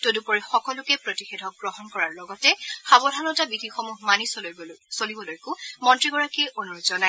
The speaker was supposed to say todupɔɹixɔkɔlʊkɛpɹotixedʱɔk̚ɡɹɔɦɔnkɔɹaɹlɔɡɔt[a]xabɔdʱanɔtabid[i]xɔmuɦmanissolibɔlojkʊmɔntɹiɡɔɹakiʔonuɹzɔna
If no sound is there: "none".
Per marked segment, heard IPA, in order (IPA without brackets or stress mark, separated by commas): ɛ, i